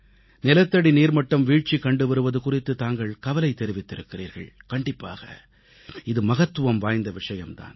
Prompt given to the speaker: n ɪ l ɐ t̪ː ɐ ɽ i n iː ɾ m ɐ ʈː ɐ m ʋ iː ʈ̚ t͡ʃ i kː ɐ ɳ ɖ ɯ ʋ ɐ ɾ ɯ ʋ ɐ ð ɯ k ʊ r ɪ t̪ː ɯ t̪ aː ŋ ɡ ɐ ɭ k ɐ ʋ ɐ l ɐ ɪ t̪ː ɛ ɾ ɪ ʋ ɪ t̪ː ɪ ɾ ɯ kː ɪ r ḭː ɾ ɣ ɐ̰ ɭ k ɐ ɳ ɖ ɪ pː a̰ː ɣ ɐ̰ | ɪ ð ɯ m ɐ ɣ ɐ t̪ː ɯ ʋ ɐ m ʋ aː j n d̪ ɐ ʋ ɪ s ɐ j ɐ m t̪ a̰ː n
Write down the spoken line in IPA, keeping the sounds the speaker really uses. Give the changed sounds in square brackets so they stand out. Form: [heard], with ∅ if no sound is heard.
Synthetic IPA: n ɪ l ɐ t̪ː ɐ ɽ i n iː ɾ m ɐ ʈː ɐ m ʋ iː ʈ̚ t͡ʃ i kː ɐ ɳ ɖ ɯ ʋ ɐ ɾ ɯ ʋ ɐ ð ɯ k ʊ r ɪ t̪ː ɯ t̪ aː ŋ ɡ ɐ ɭ k ɐ ʋ ɐ l ɐ ɪ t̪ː ɛ ɾ ɪ ʋ ɪ t̪ː ɪ ɾ ɯ kː ɪ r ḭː ɾ ɣ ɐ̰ ɭ k ɐ ɳ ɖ ɪ pː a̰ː ɣ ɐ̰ | ɪ ð ɯ m ɐ ɣ ɐ t̪ː ɯ ʋ ɐ m ʋ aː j n d̪ ɐ ʋ ɪ [ʂ] ɐ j ɐ m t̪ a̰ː n